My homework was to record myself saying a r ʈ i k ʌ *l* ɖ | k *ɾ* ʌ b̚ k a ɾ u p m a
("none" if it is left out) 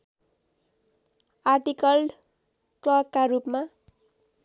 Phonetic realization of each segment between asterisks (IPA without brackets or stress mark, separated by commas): l, l